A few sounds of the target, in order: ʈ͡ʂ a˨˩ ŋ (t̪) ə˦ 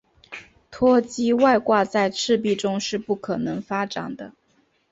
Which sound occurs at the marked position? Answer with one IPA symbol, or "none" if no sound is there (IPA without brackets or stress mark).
d̪